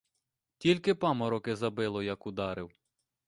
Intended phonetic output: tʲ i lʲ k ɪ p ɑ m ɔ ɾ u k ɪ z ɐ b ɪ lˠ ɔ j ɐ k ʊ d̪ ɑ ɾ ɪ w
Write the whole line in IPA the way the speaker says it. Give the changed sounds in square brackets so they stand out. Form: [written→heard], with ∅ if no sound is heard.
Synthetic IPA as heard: tʲ i lʲ k ɪ p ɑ m ɔ ɾ [u→ɔ] k ɪ z ɐ b ɪ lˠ ɔ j ɐ k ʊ d̪ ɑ ɾ ɪ w